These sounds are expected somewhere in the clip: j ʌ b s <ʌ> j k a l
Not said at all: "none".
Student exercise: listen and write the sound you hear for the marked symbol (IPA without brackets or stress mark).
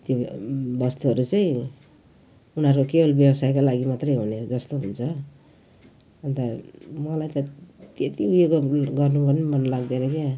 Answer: a